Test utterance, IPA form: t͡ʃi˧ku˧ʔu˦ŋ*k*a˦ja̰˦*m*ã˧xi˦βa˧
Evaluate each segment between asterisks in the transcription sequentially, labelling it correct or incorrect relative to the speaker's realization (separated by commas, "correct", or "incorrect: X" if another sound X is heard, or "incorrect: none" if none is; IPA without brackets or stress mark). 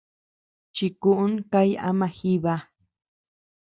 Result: correct, correct